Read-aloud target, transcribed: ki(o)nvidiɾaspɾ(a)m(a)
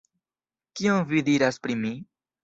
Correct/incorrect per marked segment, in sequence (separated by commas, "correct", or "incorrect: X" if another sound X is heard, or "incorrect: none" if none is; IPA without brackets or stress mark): correct, incorrect: i, incorrect: i